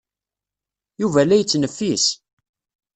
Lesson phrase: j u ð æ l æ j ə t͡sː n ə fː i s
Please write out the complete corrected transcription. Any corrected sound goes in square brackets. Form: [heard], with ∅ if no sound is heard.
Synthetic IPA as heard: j u [v] æ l æ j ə t͡sː n ə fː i s